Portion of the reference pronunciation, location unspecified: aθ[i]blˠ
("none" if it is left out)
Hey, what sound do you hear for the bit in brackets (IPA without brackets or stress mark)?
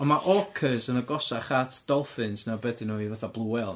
a